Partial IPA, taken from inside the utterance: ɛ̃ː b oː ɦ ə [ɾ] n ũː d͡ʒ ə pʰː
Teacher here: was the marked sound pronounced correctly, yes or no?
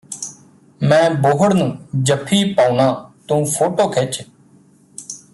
no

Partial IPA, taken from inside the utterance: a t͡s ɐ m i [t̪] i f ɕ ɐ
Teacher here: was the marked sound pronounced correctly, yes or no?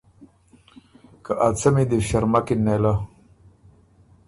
no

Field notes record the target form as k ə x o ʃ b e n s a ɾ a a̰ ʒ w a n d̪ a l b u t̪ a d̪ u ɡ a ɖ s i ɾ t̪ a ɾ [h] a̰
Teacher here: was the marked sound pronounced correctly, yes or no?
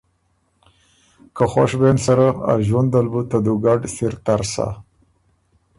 no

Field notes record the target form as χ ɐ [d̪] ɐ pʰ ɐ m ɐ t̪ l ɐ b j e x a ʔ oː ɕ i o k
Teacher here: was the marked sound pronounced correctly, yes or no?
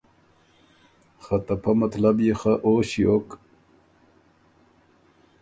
no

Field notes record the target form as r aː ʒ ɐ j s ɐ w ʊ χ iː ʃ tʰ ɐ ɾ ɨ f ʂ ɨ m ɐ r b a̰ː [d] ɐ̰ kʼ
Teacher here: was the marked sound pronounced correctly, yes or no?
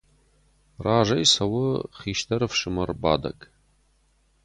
yes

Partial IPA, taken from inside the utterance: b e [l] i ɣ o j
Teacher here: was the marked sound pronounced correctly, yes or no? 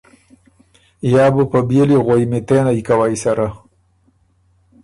yes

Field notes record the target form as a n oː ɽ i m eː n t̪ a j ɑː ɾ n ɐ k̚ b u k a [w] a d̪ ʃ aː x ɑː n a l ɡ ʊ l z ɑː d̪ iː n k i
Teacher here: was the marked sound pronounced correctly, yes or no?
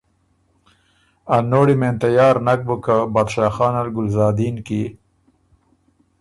no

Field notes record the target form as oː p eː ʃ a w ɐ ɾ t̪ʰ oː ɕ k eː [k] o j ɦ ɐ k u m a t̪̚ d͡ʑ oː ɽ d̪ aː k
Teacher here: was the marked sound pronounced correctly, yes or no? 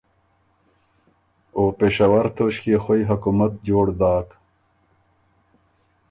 no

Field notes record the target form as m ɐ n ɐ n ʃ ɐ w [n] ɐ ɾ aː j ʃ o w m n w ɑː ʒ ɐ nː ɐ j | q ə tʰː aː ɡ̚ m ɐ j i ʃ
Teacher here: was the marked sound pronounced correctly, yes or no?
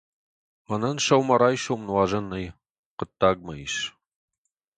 no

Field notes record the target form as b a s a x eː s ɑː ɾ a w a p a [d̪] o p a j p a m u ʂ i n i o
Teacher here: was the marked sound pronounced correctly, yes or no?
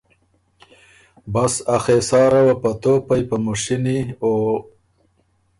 no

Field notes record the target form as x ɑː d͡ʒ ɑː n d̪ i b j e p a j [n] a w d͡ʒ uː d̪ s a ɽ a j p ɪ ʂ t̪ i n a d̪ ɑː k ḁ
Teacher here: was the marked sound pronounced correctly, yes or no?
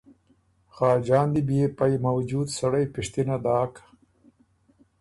no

